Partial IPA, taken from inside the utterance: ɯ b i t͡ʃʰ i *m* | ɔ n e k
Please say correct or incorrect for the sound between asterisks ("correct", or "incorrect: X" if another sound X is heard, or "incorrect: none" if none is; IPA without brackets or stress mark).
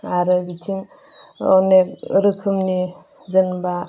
incorrect: ŋ